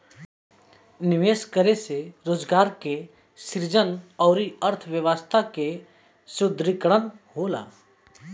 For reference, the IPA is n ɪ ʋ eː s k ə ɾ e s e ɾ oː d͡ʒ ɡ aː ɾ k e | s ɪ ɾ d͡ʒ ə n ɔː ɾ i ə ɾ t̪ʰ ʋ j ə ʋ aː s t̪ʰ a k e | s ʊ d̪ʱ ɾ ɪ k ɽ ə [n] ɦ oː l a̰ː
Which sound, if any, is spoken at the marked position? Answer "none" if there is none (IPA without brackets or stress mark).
n